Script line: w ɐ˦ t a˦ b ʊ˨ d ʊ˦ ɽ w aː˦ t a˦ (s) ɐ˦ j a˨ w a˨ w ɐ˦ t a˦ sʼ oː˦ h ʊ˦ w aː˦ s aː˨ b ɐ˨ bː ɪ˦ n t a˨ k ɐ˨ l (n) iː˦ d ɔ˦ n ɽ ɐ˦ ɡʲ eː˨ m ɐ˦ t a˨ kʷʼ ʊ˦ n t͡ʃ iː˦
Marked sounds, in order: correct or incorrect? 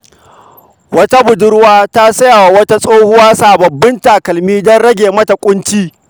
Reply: correct, incorrect

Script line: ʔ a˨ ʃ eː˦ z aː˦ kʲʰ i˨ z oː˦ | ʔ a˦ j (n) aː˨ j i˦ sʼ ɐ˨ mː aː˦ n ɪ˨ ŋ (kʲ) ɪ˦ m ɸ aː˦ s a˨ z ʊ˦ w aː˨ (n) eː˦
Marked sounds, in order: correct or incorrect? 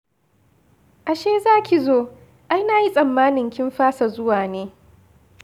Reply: correct, correct, correct

